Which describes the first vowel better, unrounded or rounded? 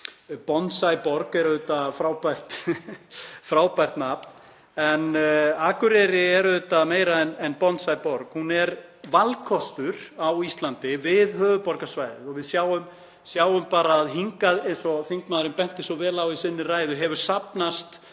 rounded